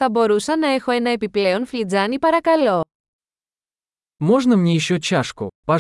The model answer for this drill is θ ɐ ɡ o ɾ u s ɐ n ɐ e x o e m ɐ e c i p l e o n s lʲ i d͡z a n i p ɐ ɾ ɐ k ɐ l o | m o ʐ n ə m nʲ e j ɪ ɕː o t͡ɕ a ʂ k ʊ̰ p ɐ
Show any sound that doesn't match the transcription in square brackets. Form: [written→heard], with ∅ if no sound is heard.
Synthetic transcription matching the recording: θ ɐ [ɡ→b] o ɾ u s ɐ n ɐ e x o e [m→n] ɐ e [c→p] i p l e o n [s→f] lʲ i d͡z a n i p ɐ ɾ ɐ k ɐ l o | m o ʐ n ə m nʲ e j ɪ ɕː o t͡ɕ a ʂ k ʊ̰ p ɐ